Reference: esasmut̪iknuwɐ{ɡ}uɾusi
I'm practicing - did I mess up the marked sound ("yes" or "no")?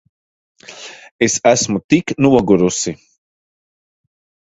no